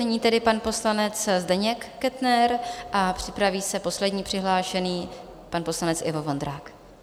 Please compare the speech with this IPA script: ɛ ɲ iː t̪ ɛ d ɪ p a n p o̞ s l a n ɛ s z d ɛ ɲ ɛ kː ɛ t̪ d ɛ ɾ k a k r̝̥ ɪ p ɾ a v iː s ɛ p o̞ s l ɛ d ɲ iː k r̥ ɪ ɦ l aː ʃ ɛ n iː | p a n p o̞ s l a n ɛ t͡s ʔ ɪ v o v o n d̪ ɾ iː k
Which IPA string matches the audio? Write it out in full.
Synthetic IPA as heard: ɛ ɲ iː t̪ ɛ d ɪ p a n p o̞ s l a n ɛ t͡s z d ɛ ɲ ɛ kː ɛ t̪ n ɛ ɾ ʔ a p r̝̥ ɪ p ɾ a v iː s ɛ p o̞ s l ɛ d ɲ iː p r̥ ɪ ɦ l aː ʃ ɛ n iː | p a n p o̞ s l a n ɛ t͡s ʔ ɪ v o v o n d̪ ɾ aː k